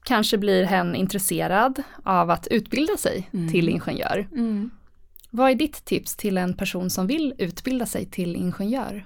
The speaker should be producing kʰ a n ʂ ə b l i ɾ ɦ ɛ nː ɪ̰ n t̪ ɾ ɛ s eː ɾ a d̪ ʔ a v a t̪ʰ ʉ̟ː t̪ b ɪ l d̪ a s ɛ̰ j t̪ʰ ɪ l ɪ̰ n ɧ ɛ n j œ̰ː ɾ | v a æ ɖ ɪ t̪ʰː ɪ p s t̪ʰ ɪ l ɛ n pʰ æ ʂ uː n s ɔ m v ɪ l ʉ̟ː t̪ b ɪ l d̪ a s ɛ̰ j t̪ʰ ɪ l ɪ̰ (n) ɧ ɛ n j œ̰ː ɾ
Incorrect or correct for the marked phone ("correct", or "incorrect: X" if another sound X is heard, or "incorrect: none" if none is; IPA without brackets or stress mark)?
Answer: correct